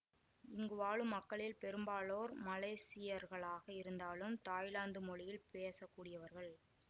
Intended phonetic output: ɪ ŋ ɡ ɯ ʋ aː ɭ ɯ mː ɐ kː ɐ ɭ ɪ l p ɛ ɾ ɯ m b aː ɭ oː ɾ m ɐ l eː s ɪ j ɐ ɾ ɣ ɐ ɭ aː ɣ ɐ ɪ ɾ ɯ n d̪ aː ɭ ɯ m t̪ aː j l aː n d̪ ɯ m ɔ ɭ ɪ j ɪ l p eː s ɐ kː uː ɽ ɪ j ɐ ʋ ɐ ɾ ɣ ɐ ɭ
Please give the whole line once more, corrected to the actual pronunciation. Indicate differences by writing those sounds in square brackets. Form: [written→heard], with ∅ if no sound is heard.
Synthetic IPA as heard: ɪ ŋ ɡ ɯ ʋ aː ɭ ɯ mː ɐ kː ɐ ɭ ɪ l p ɛ ɾ ɯ m b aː ɭ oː ɾ m ɐ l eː s ɪ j ɐ ɾ ɣ ɐ ɭ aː ɣ ɐ ɪ ɾ ɯ n d̪ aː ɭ ɯ m t̪ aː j l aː n d̪ ɯ m ɔ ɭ ɪ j ɪ l p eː s ɐ kː uː ɽ ɪ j ɐ ʋ ɐ ɾ ɣ ɐ ɭ